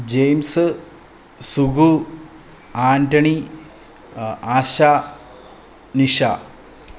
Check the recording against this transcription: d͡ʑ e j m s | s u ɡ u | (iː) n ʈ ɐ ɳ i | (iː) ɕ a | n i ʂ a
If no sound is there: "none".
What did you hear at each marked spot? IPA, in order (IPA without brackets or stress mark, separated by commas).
aː, aː